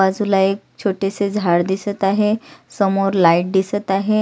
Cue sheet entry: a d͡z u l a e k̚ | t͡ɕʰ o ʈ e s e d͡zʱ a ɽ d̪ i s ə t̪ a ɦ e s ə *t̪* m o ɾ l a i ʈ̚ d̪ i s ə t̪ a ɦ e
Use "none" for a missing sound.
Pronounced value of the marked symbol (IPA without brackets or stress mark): none